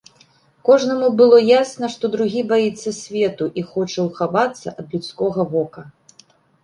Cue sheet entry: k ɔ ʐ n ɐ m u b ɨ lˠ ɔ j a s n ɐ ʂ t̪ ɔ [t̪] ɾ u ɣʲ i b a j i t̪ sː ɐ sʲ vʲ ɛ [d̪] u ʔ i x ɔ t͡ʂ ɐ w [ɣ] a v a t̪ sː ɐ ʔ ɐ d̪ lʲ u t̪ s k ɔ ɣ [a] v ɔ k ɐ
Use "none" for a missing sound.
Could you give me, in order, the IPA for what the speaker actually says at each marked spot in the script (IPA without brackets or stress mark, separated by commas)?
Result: d̪, t̪, x, ɐ